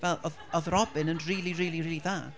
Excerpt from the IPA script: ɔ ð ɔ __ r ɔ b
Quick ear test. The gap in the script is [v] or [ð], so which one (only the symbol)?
ð